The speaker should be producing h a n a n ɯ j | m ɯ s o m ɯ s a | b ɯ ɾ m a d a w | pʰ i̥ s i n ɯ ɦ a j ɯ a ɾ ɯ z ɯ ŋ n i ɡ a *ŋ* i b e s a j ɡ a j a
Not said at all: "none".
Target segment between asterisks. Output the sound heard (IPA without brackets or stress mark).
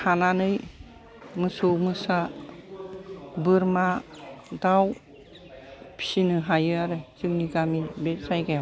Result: m